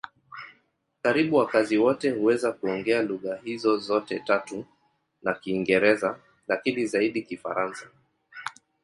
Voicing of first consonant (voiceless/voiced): voiceless